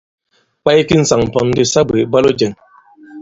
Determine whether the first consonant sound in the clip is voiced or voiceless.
voiceless